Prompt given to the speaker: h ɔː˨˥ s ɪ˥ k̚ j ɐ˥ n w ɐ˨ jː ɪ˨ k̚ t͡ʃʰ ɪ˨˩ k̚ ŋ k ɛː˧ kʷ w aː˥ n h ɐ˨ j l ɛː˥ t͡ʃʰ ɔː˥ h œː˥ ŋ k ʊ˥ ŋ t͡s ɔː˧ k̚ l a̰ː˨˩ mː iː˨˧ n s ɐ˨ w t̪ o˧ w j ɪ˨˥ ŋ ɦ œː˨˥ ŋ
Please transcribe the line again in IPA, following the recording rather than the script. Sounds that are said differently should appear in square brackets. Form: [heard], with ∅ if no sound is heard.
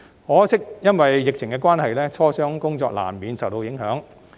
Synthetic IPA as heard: h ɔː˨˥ s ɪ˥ k̚ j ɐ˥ n w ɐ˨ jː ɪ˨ k̚ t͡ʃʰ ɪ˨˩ [∅] ŋ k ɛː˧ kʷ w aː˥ n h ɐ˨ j l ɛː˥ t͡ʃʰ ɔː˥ [s] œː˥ ŋ k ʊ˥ ŋ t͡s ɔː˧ k̚ l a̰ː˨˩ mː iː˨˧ n s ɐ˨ w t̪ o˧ w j ɪ˨˥ ŋ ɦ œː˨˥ ŋ